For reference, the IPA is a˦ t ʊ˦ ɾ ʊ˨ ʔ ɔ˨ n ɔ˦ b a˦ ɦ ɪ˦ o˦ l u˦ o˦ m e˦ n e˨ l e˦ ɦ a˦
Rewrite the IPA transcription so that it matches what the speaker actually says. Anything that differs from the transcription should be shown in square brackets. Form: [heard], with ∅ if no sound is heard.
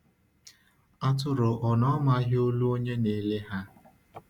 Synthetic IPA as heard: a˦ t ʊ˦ ɾ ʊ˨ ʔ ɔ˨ n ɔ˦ [m] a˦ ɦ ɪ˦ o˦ l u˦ o˦ [ɲ] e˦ n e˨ l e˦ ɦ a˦

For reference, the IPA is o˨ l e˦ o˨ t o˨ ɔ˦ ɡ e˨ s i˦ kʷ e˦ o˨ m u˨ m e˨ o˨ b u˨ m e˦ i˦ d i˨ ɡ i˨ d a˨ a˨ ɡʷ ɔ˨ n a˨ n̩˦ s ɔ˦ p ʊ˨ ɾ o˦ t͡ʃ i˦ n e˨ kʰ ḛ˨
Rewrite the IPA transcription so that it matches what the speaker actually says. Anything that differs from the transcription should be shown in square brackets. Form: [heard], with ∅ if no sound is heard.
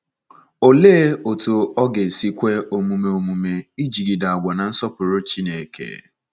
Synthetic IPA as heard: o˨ l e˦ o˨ t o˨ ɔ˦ ɡ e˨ s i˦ kʷ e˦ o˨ m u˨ m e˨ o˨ [m] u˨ m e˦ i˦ [d͡ʒ] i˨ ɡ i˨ d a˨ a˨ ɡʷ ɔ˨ n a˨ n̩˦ s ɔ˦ p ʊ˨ ɾ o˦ t͡ʃ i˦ n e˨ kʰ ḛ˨

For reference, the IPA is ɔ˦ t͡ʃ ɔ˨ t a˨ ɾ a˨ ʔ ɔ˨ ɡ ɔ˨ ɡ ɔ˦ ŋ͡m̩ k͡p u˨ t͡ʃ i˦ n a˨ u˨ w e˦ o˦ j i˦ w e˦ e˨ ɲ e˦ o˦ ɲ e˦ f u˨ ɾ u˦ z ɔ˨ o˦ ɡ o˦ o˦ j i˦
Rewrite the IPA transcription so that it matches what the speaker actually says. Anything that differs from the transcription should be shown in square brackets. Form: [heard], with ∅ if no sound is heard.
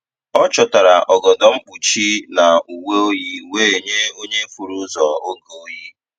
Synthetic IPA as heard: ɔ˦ t͡ʃ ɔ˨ t a˨ ɾ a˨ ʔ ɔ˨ ɡ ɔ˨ [d] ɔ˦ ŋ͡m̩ k͡p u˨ t͡ʃ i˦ n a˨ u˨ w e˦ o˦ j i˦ w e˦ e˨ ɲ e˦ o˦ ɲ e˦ f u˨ ɾ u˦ z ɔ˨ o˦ ɡ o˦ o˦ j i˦

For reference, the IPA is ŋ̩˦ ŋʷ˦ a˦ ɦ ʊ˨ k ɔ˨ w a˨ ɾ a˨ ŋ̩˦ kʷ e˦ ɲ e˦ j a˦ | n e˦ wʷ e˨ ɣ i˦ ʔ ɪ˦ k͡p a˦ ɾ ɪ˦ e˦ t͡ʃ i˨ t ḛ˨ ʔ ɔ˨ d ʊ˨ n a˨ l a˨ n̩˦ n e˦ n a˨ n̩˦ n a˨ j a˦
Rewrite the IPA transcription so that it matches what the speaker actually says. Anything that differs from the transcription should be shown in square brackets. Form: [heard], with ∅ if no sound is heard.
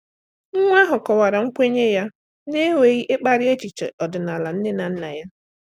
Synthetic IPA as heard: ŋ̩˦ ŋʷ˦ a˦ ɦ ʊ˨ k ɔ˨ w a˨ ɾ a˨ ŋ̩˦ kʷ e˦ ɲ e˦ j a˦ | n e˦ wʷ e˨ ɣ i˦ ʔ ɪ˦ k͡p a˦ ɾ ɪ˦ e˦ t͡ʃ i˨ [t͡ʃ] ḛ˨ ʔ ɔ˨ d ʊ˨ n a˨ l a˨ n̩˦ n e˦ n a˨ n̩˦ n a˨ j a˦

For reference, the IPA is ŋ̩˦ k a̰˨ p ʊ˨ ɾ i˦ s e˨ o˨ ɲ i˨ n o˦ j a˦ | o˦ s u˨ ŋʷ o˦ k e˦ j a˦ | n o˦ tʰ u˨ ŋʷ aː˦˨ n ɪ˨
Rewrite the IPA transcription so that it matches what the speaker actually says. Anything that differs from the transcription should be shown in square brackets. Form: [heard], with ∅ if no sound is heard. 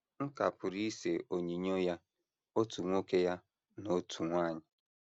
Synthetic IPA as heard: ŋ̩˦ k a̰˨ p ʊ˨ ɾ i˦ s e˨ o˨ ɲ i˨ [ɲ] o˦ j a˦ | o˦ [t] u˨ ŋʷ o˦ k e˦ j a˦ | n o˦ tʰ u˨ ŋʷ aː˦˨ [ɲ] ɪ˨

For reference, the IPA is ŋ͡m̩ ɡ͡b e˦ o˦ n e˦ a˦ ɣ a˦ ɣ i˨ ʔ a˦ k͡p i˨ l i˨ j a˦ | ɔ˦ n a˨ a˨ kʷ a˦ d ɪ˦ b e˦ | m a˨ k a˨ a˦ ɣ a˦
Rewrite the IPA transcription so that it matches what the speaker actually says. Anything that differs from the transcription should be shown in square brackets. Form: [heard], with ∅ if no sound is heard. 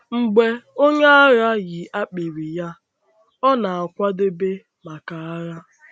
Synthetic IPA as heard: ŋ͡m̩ ɡ͡b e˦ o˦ [ɲ] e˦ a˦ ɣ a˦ ɣ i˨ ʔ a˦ k͡p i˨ [ɾ] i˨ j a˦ | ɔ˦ n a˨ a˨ kʷ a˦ d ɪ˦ b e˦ | m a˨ k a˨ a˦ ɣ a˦

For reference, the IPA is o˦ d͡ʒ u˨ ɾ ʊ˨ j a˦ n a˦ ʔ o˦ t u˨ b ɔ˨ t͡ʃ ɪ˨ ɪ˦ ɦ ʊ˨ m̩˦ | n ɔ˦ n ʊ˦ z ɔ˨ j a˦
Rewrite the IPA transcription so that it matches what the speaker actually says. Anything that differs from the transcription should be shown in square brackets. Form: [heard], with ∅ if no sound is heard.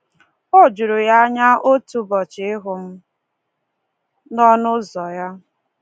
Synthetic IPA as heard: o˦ d͡ʒ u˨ ɾ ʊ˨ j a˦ [ɲ] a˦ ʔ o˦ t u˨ b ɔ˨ t͡ʃ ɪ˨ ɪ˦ ɦ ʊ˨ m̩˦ | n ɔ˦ n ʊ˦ z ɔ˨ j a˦

